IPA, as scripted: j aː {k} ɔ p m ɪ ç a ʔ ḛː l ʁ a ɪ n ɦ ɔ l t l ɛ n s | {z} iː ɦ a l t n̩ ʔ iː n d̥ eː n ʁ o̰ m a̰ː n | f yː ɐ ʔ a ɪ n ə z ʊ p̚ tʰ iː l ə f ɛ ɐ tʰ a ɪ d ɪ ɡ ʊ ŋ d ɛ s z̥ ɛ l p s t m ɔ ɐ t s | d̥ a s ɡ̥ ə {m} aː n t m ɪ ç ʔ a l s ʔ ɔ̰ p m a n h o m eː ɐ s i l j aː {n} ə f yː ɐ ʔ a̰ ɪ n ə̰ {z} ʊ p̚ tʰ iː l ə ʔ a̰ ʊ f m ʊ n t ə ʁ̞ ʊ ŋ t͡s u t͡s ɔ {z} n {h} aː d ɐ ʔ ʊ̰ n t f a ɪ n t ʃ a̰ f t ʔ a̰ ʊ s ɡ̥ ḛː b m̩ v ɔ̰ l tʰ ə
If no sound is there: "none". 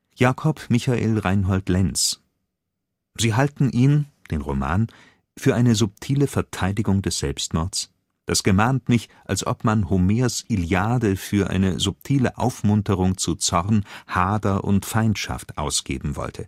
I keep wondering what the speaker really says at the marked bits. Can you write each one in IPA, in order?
kʰ, z, m, d, z, ʁ, h

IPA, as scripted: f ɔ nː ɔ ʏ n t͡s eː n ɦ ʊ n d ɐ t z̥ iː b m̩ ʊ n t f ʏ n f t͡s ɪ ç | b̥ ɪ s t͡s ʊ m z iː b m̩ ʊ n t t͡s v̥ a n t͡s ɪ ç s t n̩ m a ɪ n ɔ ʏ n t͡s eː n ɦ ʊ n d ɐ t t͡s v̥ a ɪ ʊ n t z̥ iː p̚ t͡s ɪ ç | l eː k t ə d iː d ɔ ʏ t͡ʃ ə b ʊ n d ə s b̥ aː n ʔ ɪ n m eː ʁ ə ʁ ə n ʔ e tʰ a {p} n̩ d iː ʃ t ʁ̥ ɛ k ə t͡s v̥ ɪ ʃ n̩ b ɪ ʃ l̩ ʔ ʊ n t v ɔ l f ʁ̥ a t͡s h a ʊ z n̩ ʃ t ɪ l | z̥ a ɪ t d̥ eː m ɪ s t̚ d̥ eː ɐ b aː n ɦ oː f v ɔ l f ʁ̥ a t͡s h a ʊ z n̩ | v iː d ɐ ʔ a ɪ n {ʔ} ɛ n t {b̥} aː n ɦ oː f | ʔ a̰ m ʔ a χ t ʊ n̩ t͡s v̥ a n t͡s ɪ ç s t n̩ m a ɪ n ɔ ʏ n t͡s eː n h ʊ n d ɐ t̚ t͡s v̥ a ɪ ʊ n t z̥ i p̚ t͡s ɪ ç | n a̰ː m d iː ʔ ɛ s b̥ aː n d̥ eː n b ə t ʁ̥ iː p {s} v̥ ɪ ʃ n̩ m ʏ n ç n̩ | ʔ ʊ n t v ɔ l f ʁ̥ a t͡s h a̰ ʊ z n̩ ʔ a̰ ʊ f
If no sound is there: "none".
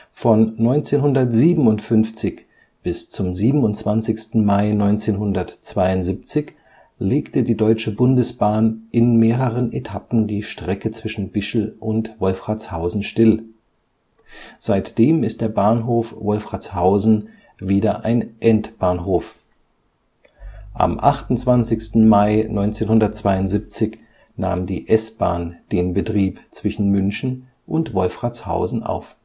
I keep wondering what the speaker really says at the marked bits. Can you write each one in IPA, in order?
p, ʔ, b̥, t͡s

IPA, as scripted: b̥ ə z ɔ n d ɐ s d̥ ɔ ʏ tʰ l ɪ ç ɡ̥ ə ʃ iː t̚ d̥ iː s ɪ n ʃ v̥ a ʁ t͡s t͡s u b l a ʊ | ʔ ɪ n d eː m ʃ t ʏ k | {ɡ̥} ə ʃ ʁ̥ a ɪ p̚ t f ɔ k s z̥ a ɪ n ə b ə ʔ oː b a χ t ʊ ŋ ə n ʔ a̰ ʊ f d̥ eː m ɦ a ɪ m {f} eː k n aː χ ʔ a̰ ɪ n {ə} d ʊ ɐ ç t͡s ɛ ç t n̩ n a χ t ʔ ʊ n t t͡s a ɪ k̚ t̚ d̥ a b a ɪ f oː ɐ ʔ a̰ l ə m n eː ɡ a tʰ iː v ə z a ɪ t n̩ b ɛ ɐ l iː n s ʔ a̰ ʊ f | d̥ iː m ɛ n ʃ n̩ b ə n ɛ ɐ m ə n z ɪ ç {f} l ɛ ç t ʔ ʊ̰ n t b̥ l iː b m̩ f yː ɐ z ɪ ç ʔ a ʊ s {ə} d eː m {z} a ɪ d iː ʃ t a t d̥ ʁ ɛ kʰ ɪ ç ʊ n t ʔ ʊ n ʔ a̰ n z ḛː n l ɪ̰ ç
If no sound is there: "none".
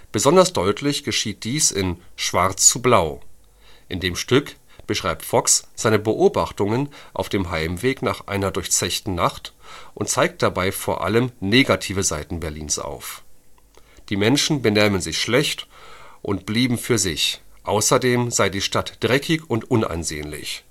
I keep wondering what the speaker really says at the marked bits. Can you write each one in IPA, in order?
b̥, v, ɐ, ʃ, ɐ, z

